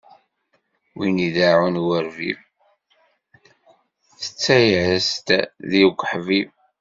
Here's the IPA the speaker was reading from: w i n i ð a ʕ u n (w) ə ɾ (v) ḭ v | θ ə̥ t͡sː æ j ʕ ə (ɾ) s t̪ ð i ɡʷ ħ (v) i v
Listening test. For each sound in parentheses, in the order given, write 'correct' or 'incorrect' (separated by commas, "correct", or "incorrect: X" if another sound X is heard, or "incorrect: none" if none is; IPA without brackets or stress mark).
correct, correct, incorrect: none, correct